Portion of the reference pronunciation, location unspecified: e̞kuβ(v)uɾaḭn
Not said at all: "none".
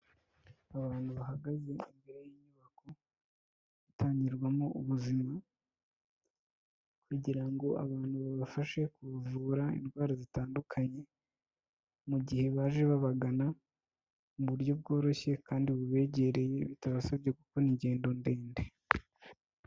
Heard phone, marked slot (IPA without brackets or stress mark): v